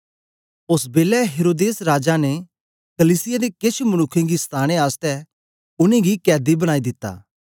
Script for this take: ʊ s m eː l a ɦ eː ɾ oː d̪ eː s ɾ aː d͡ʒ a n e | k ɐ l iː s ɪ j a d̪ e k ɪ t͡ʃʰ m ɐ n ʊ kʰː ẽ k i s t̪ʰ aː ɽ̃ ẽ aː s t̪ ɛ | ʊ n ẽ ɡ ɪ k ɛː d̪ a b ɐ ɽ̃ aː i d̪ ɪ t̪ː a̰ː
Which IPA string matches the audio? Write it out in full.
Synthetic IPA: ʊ s b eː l ɛ ɦ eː ɾ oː d̪ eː s ɾ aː d͡ʒ a n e | k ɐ l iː s ɪ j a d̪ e k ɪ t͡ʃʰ m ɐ n ʊ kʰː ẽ ɡ i s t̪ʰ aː ɽ̃ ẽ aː s t̪ ɛ | ʊ n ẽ ɡ i k ɛː d̪ i b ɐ ɽ̃ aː i d̪ ɪ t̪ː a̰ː